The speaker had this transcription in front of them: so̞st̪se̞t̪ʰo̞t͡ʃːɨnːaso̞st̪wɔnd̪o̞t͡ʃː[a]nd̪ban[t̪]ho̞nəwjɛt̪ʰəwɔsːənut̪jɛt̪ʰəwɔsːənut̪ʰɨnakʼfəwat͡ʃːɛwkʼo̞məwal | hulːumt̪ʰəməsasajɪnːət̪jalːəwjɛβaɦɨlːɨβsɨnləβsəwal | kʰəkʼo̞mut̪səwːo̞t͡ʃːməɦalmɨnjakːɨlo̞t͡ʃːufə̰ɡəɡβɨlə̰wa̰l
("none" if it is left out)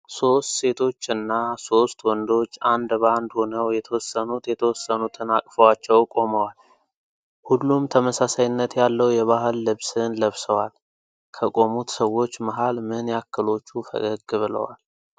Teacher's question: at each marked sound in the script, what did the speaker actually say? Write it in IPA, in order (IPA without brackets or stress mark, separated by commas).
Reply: a, d̪